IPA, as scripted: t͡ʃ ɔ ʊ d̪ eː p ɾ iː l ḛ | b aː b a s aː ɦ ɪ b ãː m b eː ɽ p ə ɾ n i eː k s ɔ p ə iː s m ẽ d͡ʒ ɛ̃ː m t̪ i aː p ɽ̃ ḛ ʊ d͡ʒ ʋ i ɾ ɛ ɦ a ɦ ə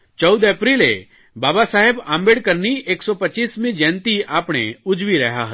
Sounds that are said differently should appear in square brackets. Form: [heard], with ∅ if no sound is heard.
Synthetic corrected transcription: t͡ʃ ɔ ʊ d̪ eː p ɾ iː l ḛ | b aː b a s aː ɦ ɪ b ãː m b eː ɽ [k] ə ɾ n i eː k s ɔ p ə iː s m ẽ d͡ʒ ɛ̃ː [n] t̪ i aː p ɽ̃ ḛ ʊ d͡ʒ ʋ i ɾ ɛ ɦ a ɦ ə